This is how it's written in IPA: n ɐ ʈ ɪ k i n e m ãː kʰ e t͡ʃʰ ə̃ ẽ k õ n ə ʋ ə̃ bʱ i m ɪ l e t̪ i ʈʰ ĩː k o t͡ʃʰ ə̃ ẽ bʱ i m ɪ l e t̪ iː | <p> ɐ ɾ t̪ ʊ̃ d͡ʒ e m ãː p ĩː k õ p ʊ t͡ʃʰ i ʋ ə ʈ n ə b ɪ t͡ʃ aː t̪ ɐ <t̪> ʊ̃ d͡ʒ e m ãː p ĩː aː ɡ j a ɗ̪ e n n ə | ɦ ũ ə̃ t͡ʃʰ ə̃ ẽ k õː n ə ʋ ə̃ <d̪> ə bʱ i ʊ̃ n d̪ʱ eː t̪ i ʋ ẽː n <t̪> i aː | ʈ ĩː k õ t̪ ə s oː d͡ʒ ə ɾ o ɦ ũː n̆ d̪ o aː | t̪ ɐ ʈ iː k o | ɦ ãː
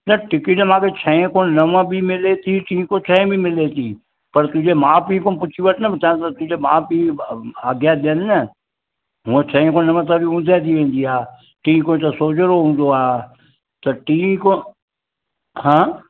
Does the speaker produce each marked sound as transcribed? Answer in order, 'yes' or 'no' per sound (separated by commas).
yes, yes, no, no